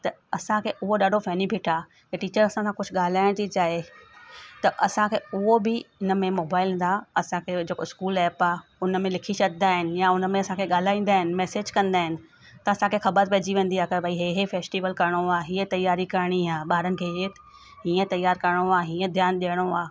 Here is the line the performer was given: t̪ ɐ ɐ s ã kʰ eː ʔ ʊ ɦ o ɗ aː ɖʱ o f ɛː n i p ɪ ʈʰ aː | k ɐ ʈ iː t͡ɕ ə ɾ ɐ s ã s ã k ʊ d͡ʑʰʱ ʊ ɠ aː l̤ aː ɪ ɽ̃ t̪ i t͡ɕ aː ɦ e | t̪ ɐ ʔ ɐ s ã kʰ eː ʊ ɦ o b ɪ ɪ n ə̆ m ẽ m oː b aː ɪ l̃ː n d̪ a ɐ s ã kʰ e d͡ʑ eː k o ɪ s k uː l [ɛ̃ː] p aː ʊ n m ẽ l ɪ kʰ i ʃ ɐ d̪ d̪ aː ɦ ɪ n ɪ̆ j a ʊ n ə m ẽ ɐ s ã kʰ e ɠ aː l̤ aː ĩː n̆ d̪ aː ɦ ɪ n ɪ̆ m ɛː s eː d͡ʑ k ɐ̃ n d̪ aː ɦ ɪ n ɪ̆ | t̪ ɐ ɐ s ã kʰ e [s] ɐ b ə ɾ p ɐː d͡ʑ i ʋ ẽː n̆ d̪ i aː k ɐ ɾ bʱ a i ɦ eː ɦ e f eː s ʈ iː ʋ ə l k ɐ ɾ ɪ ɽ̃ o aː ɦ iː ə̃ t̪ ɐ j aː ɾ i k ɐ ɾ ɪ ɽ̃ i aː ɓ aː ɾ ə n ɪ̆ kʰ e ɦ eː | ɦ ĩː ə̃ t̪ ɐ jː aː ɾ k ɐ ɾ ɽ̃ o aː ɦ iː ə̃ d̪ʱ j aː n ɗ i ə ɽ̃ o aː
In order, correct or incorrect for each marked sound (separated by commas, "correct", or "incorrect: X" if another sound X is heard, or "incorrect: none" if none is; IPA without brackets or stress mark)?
incorrect: ɛː, incorrect: x